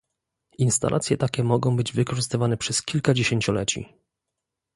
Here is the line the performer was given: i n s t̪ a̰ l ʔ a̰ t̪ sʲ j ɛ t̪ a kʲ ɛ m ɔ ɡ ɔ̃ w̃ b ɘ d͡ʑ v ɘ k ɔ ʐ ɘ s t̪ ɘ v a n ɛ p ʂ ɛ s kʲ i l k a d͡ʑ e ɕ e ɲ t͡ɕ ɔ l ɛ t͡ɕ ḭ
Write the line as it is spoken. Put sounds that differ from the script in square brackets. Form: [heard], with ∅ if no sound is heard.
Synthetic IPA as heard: i n s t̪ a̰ l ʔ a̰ t̪ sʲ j ɛ t̪ a kʲ ɛ m ɔ ɡ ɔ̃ w̃ b ɘ d͡ʑ v ɘ k ɔ ʐ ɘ s t̪ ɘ v a n ɛ p ʂ ɛ s kʲ i l k a d͡ʑ e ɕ e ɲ t͡ɕ ɔ l ɛ t͡ɕ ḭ